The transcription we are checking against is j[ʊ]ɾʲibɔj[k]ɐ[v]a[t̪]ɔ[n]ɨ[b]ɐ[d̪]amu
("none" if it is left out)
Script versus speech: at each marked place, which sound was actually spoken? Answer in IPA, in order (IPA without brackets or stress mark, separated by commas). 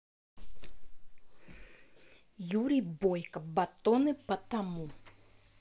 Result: u, k, b, t̪, n, p, t̪